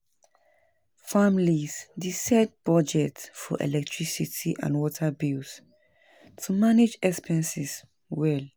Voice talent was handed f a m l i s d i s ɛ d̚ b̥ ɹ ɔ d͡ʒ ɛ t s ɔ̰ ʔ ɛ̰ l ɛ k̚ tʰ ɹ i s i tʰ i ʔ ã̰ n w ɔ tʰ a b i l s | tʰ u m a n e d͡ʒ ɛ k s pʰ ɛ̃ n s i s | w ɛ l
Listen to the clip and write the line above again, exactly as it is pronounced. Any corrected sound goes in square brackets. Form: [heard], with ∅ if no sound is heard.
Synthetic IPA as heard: f a m l i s d i s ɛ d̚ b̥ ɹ ɔ d͡ʒ ɛ t [f] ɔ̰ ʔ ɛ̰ l ɛ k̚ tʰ ɹ i s i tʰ i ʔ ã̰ n w ɔ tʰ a b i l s | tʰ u m a n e d͡ʒ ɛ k s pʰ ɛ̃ n s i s | w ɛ l

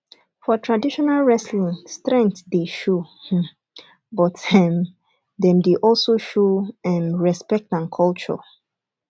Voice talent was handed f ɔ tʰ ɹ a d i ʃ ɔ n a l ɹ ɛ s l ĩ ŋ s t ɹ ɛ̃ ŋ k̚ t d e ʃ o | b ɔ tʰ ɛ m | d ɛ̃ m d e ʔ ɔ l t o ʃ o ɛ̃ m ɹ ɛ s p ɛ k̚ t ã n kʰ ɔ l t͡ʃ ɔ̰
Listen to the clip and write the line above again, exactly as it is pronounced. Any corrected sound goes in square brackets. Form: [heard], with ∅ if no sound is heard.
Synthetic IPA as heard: f ɔ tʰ ɹ a d i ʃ ɔ n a l ɹ ɛ s l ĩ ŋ s t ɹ ɛ̃ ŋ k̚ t d e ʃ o | b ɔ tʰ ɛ m | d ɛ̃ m d e ʔ ɔ l [s] o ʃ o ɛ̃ m ɹ ɛ s p ɛ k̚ t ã n kʰ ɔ l t͡ʃ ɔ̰

